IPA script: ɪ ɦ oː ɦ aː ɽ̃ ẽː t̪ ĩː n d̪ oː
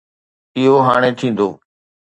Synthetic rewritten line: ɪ ɦ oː ɦ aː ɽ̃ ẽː t̪ʰ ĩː n d̪ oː

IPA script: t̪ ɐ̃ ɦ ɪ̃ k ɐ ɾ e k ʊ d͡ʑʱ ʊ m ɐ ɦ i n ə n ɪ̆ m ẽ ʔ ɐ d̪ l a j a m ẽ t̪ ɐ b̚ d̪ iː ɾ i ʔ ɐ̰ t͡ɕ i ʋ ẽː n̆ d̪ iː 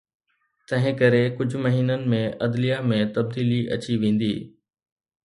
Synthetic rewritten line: t̪ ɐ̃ ɦ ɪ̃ k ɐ ɾ e k ʊ d͡ʑʱ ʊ m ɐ ɦ iː n ə n ɪ̆ m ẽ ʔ ɐ d̪ l i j a m ẽ t̪ ɐ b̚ d̪ iː l i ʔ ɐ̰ t͡ɕ i ʋ ẽː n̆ d̪ iː

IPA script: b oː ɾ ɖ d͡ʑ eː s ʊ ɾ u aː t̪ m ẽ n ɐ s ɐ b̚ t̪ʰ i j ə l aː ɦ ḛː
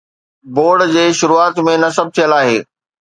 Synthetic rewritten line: b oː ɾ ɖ d͡ʑ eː ʃ ʊ ɾ u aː t̪ m ẽ n ɐ s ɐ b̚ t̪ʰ i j ə l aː ɦ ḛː

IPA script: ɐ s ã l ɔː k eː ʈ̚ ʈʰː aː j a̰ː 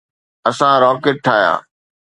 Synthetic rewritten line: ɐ s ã ɾ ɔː k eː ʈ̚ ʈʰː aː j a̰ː

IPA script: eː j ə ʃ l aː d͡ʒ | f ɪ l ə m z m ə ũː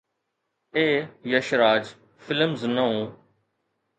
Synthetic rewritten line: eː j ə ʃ ɾ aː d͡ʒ | f ɪ l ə m z n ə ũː

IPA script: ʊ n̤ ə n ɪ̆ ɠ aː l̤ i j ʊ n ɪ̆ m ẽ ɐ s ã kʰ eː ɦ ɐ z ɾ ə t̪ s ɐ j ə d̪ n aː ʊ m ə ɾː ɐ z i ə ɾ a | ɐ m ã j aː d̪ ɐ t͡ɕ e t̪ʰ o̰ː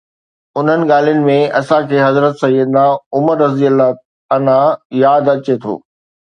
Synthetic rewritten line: ʊ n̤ ə n ɪ̆ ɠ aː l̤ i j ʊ n ɪ̆ m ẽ ɐ s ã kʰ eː ɦ ɐ z ɾ ə t̪ s ɐ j ə d̪ n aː ʊ m ə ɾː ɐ z i ə l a | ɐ n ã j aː d̪ ɐ t͡ɕ e t̪ʰ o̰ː

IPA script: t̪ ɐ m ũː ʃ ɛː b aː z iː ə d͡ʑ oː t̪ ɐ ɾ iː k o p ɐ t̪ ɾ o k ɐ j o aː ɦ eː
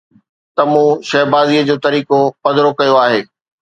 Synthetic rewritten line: t̪ ɐ m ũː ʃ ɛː b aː z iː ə d͡ʑ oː t̪ ɐ ɾ iː k o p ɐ d̪ ɾ o k ɐ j o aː ɦ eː

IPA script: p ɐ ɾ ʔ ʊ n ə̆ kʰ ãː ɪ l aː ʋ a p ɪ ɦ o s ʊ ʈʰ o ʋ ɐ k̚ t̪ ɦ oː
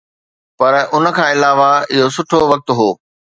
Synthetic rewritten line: p ɐ ɾ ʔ ʊ n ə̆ kʰ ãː ɪ l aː ʋ a ɪ ɦ o s ʊ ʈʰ o ʋ ɐ k̚ t̪ ɦ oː

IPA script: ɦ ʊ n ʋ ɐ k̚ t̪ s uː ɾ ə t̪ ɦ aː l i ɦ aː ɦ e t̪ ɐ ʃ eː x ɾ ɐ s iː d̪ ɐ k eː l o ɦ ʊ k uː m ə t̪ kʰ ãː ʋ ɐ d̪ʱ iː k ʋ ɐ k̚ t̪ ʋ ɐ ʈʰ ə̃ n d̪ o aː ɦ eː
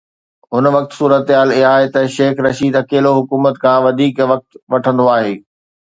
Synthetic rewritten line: ɦ ʊ n ʋ ɐ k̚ t̪ s uː ɾ ə t̪ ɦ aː l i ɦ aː ɦ e t̪ ɐ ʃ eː x ɾ ɐ ʃ iː d̪ ɐ k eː l o ɦ ʊ k uː m ə t̪ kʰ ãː ʋ ɐ d̪ʱ iː k ʋ ɐ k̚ t̪ ʋ ɐ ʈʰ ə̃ n d̪ o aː ɦ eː

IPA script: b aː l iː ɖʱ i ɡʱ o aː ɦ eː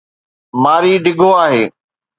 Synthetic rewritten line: m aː ɾ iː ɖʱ ɪ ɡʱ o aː ɦ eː

